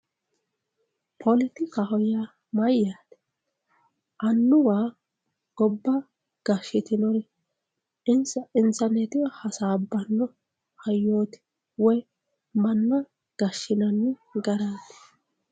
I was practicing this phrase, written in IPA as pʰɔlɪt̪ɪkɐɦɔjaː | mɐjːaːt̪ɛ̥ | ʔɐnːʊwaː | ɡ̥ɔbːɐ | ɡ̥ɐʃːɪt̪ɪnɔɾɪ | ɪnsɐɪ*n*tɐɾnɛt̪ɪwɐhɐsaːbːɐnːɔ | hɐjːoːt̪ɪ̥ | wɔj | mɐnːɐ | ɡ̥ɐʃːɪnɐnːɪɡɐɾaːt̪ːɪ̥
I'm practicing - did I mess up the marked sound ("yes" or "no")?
no